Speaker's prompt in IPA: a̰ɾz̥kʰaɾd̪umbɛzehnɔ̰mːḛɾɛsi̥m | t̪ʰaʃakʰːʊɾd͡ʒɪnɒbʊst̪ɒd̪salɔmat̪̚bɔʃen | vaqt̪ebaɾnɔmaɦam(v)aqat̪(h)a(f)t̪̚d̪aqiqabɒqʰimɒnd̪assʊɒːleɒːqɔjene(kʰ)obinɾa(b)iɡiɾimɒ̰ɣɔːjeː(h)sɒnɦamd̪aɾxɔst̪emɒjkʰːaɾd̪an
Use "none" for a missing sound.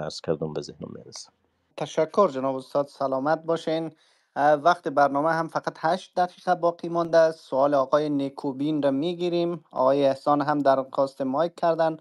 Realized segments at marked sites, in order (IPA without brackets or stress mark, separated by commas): f, h, ʃ, kʰ, m, h